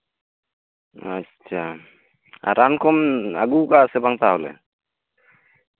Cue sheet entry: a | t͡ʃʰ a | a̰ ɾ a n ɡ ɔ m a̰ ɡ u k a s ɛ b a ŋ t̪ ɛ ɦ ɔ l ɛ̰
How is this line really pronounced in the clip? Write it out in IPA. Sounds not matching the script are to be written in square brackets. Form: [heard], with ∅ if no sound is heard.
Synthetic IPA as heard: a | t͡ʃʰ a | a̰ ɾ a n [k] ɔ m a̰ ɡ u k a s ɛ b a ŋ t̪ [a] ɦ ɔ l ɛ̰